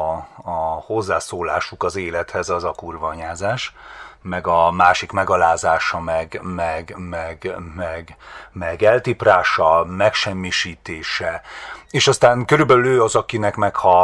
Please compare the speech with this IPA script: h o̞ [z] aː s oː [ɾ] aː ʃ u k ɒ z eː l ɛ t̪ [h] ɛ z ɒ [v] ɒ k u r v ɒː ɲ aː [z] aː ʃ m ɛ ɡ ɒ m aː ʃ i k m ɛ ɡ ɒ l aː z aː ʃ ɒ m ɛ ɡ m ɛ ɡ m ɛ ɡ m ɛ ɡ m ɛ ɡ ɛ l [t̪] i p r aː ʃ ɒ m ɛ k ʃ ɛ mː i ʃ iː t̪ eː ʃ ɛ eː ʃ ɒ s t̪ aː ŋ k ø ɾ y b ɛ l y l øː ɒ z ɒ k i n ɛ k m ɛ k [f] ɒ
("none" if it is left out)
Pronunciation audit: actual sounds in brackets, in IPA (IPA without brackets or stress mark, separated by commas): zː, l, h, z, z, t̪, h